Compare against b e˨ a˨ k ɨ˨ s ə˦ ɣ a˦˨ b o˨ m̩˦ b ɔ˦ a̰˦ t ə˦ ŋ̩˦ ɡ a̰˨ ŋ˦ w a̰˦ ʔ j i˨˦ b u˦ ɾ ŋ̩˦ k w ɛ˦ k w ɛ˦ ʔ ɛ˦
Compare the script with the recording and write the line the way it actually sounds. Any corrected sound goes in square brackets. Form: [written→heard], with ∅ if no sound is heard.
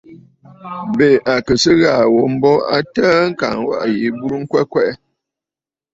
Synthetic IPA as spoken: b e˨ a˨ k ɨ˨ s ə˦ ɣ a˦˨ [b→w] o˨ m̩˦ b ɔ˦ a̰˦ t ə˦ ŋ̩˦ [ɡ→k] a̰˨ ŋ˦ w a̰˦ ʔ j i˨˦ b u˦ ɾ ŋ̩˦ k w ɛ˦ k w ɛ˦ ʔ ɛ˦